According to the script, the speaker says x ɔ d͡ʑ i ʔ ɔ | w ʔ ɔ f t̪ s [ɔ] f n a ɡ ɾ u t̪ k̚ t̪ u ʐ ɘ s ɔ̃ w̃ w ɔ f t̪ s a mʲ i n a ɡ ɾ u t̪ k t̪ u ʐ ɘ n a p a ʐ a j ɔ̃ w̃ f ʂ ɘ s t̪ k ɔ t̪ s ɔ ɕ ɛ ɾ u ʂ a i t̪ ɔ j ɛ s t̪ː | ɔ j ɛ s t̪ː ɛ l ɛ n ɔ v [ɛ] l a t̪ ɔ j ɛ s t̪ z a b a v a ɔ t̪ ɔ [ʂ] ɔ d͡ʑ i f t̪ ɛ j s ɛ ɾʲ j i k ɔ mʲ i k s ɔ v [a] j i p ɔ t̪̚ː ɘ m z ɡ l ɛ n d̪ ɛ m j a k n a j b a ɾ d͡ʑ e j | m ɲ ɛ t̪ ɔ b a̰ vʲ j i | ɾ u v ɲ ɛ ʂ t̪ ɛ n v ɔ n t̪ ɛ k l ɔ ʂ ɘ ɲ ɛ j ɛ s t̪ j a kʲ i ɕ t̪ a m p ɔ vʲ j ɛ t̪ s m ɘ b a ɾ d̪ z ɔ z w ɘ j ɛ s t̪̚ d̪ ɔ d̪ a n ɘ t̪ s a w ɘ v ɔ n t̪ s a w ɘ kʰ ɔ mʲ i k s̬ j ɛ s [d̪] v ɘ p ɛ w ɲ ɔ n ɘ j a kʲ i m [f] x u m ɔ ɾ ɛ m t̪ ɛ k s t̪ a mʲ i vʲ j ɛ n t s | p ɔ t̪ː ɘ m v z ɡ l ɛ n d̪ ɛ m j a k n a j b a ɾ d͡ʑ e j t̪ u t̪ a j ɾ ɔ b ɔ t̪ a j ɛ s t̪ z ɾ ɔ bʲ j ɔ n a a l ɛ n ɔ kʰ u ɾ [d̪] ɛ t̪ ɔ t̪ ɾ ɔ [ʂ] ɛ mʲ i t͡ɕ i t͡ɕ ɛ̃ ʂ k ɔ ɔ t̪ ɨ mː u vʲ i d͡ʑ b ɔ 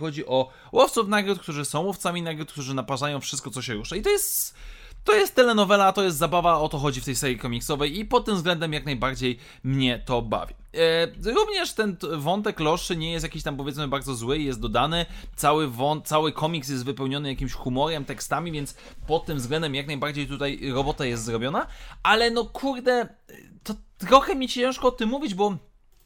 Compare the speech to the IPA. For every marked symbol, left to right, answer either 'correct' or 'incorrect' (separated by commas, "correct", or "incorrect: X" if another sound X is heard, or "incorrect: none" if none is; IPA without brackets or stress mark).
incorrect: u, correct, incorrect: x, incorrect: ɛ, incorrect: t̪, incorrect: ɕ, correct, incorrect: x